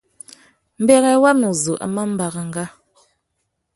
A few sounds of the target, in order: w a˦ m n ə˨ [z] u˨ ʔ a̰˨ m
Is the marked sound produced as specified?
yes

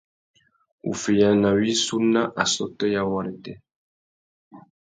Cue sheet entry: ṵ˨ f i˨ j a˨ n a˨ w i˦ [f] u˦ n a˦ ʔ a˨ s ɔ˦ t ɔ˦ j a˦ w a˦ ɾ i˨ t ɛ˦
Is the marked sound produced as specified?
no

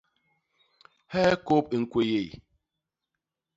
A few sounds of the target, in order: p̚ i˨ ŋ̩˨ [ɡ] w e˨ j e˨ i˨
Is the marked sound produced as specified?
no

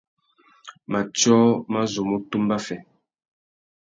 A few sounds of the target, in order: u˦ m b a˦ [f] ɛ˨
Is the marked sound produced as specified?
yes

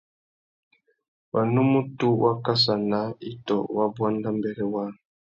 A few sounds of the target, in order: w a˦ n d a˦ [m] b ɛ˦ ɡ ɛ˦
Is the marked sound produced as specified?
yes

